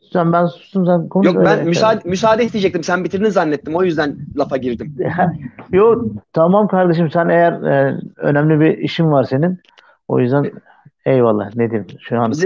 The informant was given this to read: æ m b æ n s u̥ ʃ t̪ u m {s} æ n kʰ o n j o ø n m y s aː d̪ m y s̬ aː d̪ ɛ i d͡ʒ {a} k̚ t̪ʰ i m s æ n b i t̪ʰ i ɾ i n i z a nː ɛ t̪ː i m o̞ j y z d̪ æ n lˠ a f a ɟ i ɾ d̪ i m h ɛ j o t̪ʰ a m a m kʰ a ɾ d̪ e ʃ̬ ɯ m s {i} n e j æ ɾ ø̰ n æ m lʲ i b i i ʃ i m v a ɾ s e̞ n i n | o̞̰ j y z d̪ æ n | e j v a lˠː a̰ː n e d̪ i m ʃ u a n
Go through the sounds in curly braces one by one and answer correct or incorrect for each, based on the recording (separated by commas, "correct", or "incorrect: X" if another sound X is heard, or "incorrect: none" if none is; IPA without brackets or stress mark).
correct, incorrect: ɛ, incorrect: æ